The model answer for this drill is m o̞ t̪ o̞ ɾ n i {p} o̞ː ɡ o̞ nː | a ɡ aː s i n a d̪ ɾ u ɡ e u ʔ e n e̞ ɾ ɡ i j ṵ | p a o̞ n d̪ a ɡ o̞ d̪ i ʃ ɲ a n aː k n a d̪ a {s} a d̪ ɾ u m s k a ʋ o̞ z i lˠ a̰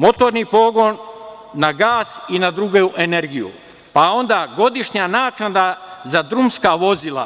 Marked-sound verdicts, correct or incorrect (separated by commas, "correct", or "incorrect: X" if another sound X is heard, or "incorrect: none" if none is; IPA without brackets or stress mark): correct, incorrect: z